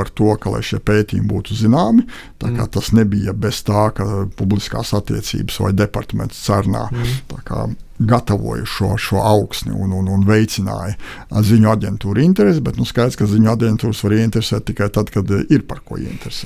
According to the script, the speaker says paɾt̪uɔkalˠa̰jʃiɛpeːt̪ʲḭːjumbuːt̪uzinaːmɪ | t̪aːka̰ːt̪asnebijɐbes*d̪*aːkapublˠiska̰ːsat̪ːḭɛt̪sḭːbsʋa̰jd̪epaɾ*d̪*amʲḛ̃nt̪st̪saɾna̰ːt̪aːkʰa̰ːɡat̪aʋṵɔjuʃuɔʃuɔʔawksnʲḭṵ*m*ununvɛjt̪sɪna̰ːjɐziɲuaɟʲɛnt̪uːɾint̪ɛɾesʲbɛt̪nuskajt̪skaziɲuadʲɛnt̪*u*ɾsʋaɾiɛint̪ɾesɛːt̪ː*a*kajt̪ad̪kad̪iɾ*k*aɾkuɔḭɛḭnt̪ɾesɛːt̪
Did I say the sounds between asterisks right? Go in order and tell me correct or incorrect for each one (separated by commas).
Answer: incorrect, incorrect, incorrect, incorrect, incorrect, incorrect